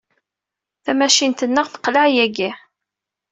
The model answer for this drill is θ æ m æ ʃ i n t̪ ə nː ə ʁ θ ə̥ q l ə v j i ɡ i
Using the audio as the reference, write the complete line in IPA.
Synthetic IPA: θ æ m æ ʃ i n t̪ ə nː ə ʁ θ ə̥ q l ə ʕ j æ ɡ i